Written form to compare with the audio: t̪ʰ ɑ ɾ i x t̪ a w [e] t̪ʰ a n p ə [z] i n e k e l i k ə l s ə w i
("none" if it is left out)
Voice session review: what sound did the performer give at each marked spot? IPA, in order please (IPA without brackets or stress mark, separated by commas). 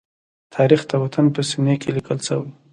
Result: a, s